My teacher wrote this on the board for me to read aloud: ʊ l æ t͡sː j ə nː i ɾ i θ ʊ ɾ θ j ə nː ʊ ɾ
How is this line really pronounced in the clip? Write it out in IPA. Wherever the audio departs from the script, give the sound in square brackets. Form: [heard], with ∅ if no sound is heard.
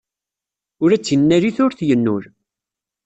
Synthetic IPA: ʊ [ɾ] æ t͡sː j ə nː [æ] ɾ i θ ʊ ɾ θ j ə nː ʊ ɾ